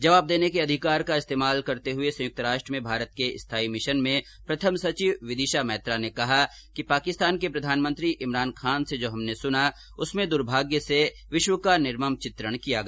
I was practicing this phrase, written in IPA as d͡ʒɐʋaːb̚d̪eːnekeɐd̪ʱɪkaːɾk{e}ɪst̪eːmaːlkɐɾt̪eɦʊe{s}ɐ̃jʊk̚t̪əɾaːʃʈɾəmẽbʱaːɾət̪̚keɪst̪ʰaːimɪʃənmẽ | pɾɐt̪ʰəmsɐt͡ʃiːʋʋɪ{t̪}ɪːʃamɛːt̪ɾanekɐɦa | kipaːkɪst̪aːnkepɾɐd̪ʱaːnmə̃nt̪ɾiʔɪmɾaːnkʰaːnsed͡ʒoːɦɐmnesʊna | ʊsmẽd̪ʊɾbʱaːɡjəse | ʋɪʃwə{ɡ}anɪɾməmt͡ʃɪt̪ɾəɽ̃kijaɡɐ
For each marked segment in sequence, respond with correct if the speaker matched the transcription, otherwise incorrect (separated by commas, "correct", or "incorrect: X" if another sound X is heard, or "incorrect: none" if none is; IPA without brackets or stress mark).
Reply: incorrect: a, correct, incorrect: d̪, incorrect: k